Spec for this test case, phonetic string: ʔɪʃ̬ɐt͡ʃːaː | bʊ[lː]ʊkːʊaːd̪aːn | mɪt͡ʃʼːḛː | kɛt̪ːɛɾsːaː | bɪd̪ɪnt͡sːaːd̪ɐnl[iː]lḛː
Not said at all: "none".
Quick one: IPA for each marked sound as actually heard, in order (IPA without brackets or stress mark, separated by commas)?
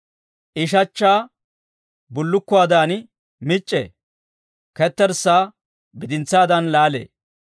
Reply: lː, aː